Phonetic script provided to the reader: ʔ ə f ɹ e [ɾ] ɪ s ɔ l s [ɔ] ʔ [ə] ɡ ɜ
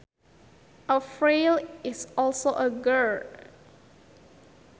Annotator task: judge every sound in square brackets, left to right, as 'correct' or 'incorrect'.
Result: incorrect: l, incorrect: o, correct

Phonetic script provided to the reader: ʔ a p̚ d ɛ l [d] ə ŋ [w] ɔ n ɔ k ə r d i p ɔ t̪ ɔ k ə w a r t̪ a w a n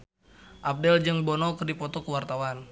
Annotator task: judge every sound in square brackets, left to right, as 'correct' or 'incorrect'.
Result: incorrect: d͡ʒ, incorrect: b

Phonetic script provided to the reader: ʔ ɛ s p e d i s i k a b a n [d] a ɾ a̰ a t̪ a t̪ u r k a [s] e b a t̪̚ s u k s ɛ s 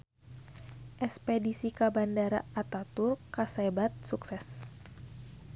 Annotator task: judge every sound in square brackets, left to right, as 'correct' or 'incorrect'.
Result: correct, correct

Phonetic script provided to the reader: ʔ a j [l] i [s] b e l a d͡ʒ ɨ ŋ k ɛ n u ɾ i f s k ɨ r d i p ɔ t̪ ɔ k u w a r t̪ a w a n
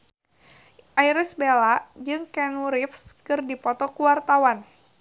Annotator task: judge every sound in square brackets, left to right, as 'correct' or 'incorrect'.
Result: incorrect: ɾ, correct

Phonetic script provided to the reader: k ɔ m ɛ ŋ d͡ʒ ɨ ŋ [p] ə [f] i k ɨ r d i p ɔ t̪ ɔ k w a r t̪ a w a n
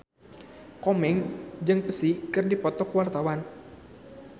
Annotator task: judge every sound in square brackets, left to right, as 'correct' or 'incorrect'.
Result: correct, incorrect: s

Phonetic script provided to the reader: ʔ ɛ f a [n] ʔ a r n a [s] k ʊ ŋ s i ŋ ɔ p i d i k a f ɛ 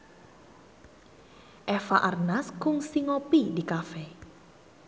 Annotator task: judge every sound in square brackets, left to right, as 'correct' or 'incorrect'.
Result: incorrect: none, correct

